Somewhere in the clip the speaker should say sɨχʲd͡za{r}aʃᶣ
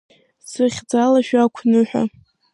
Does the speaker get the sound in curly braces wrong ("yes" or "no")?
yes